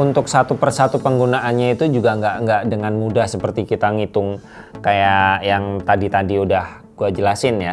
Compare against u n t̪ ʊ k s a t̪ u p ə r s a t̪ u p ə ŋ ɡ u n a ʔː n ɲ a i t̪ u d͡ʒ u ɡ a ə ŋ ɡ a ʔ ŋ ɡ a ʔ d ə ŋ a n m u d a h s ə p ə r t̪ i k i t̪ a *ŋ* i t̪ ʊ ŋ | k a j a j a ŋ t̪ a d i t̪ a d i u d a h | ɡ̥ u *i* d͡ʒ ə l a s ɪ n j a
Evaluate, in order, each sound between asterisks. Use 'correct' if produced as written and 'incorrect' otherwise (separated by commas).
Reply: correct, incorrect